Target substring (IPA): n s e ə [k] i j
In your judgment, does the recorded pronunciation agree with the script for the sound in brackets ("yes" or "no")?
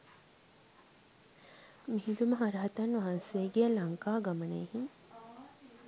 no